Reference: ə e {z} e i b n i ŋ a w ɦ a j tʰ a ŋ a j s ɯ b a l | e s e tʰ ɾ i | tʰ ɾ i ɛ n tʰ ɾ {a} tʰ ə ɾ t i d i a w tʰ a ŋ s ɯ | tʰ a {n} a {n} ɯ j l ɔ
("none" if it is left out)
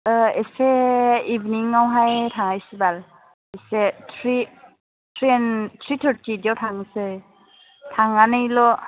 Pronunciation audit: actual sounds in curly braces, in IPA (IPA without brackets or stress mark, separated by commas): s, i, ŋ, n